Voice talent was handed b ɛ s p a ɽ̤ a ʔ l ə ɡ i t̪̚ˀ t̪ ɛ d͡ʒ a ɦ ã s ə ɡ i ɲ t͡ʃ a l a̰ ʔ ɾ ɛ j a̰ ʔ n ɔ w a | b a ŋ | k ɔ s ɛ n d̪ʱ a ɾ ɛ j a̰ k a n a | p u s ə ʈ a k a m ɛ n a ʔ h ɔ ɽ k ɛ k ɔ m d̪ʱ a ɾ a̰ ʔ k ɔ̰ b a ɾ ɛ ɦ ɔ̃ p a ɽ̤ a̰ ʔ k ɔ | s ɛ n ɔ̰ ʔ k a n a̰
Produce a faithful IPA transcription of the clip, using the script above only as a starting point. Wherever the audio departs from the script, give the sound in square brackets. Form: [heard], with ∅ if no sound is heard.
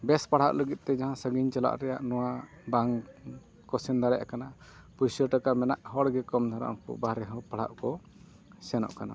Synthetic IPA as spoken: b ɛ s p a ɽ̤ a ʔ l ə ɡ i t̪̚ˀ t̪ ɛ d͡ʒ a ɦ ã s ə ɡ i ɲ t͡ʃ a l a̰ ʔ ɾ ɛ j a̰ ʔ n ɔ w a | b a ŋ | k ɔ s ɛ n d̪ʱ a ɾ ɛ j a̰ k a n a | p u s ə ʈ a k a m ɛ n a ʔ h ɔ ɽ [ɡ] ɛ k ɔ m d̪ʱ a ɾ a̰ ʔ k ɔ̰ b a ɾ ɛ ɦ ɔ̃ p a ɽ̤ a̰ ʔ k ɔ | s ɛ n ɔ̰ ʔ k a n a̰

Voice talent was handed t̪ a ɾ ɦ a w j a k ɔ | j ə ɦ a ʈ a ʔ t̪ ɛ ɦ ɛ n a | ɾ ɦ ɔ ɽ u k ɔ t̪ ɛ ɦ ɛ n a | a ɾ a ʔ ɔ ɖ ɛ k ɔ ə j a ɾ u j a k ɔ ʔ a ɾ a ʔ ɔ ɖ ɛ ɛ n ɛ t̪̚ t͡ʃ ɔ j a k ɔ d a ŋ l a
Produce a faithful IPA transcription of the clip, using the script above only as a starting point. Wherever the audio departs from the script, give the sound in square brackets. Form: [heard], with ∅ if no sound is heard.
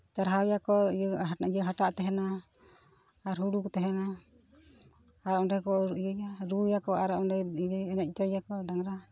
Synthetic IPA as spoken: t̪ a ɾ ɦ a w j a k ɔ | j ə ɦ a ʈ a ʔ t̪ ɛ ɦ ɛ n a | ɾ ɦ [u] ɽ u k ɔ t̪ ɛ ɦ ɛ n a | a ɾ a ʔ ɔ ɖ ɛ k ɔ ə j a ɾ u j a k ɔ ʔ a ɾ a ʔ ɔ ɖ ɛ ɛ n ɛ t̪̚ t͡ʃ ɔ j a k ɔ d a ŋ [ɾ] a

